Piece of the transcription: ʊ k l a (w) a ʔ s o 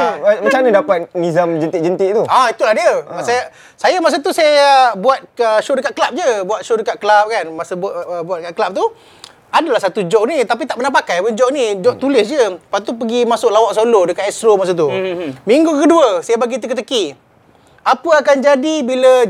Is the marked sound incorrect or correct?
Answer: correct